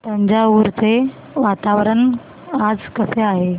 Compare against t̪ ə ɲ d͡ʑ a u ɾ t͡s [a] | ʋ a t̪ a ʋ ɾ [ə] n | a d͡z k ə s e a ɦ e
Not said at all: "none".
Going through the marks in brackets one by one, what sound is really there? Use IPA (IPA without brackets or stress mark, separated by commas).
e, ə